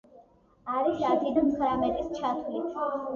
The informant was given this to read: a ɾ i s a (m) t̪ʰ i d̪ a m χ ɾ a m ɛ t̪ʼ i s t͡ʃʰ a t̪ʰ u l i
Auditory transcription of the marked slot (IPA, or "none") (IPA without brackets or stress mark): none